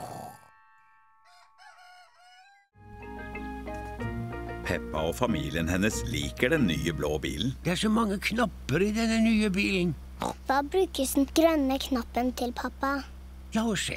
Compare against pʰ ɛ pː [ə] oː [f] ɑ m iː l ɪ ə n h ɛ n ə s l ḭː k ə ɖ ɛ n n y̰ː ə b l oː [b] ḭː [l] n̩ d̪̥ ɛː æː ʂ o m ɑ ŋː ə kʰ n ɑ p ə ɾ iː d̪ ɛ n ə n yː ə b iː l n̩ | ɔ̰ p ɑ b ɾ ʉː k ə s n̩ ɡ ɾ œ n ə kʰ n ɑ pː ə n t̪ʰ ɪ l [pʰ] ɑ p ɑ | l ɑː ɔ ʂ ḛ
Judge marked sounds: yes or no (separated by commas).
no, yes, yes, yes, yes